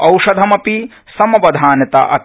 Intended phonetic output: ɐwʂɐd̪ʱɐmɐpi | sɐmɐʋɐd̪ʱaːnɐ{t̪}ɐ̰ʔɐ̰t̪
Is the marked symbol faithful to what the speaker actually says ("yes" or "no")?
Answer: yes